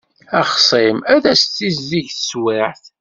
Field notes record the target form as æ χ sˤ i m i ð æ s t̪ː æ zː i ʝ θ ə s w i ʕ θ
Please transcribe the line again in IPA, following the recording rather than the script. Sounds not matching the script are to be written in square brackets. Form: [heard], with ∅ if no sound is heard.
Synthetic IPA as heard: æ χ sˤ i m [æ] ð æ s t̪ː [i] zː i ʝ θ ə s w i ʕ θ

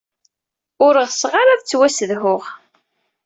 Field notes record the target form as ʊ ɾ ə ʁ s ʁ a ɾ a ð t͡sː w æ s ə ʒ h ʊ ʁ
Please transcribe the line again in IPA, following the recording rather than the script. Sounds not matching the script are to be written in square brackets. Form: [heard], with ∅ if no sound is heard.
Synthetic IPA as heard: ʊ ɾ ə ʁ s ʁ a ɾ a ð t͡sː w æ s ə [ð] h ʊ ʁ

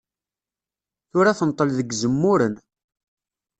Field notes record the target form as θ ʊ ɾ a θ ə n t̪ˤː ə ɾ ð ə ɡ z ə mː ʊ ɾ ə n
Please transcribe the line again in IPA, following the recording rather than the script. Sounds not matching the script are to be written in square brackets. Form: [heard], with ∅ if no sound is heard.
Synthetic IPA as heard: θ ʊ ɾ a θ ə n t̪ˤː ə [l] ð ə ɡ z ə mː ʊ ɾ ə n

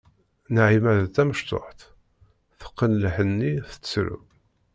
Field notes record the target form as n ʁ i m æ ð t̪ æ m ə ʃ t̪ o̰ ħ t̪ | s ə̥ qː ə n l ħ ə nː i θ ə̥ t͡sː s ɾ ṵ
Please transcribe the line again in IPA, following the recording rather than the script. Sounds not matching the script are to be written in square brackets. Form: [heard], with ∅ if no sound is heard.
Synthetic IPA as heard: n [ʕ] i m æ ð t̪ æ m ə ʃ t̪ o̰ ħ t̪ | [θ] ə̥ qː ə n l ħ ə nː i θ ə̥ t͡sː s ɾ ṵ

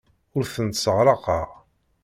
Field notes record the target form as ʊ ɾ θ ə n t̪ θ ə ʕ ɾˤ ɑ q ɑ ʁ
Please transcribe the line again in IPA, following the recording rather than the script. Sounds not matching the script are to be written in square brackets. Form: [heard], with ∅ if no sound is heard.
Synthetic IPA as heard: ʊ ɾ θ ə n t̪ [s] ə [ʁ] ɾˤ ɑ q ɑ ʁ

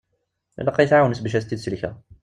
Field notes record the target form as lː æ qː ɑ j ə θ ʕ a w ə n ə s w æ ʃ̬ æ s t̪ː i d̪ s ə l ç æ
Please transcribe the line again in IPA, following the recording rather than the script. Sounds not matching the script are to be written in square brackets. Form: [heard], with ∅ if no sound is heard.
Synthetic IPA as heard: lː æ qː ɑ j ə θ ʕ a w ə n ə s [b] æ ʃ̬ æ s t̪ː i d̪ s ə l ç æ

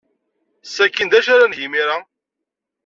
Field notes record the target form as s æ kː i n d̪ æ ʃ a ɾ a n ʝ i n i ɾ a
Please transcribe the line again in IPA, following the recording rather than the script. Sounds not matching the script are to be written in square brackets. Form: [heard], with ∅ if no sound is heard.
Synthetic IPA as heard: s æ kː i n d̪ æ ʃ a ɾ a n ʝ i [m] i ɾ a

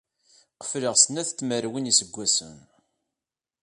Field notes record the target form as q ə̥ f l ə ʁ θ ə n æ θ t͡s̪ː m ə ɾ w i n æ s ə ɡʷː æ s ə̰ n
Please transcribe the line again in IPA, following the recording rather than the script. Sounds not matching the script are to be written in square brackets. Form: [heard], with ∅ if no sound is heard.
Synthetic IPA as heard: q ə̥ f l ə ʁ [s] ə n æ θ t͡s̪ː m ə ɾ w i n [i] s ə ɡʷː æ s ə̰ n

